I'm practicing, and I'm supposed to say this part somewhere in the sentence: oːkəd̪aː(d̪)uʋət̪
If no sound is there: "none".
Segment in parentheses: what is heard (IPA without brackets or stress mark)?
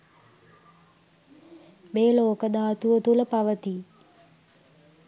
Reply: t̪